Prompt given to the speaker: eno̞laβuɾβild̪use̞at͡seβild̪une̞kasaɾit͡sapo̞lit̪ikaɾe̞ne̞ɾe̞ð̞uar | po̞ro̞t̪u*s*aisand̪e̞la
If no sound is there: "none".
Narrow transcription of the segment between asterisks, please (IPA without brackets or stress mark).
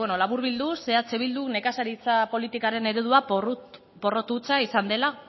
t͡s